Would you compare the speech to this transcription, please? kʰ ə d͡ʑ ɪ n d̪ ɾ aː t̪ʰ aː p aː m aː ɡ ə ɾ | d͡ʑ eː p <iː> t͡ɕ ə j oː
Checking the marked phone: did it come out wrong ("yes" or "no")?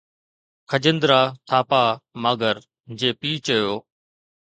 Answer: no